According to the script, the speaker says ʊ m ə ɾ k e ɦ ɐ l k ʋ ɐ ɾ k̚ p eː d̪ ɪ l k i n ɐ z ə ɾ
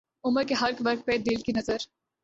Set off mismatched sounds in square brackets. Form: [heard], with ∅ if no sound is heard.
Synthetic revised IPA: ʊ m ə ɾ k e ɦ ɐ [ɾ] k ʋ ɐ ɾ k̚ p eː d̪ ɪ l k i n ɐ z ə ɾ